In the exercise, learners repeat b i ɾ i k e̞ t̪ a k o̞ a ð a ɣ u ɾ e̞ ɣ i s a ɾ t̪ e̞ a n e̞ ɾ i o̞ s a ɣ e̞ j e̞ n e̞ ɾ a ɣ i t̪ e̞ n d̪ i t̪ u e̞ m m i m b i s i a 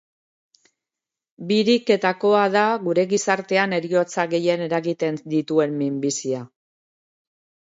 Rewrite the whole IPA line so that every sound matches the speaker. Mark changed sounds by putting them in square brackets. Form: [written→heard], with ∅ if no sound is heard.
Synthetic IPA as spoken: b i ɾ i k e̞ t̪ a k o̞ a ð a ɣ u ɾ e̞ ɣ i s a ɾ t̪ e̞ a n e̞ ɾ i o̞ [s→t͡s] a ɣ e̞ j e̞ n e̞ ɾ a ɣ i t̪ e̞ n d̪ i t̪ u e̞ m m i m b i s i a